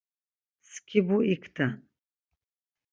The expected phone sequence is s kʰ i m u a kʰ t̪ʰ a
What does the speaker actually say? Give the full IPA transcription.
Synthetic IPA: s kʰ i b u i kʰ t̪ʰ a